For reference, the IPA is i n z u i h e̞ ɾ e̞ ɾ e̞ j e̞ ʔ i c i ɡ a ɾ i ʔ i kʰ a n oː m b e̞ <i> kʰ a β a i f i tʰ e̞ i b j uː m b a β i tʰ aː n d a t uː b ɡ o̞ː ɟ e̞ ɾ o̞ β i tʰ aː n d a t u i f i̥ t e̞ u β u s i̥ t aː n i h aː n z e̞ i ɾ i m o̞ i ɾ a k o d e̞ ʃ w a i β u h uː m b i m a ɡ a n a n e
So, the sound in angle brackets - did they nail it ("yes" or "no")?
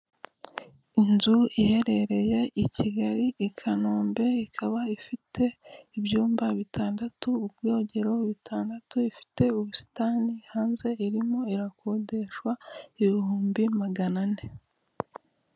yes